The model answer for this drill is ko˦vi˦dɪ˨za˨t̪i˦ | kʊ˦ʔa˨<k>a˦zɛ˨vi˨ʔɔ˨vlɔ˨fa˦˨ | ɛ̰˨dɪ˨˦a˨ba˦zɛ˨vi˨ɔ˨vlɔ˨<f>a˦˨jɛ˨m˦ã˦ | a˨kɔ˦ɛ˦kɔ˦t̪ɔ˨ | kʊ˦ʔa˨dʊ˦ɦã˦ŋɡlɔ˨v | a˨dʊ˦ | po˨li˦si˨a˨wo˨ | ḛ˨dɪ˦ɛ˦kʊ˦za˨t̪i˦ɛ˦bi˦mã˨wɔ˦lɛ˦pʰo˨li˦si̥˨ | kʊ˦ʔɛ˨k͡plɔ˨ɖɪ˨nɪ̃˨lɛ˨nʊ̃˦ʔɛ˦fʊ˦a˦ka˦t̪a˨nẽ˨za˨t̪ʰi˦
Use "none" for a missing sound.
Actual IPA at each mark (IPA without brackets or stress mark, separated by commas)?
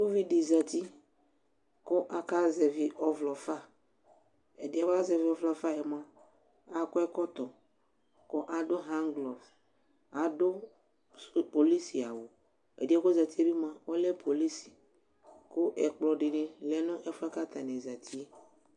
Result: k, f